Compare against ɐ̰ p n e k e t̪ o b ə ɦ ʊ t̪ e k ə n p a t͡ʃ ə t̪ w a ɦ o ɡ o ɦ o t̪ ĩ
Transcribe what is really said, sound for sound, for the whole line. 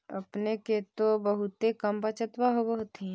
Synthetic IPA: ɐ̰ p n e k e t̪ o b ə ɦ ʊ t̪ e k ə m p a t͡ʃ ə t̪ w a ɦ o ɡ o ɦ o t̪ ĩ